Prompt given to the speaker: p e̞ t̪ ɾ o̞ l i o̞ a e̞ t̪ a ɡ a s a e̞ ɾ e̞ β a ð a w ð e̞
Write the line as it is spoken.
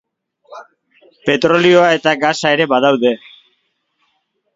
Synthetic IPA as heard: p e̞ t̪ ɾ o̞ l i o̞ a e̞ t̪ a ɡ a s a e̞ ɾ e̞ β a ð a w ð e̞